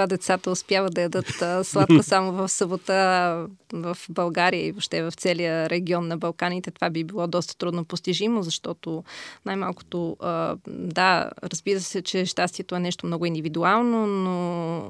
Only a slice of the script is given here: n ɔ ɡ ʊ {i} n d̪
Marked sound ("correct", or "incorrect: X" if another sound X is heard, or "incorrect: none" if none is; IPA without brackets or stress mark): correct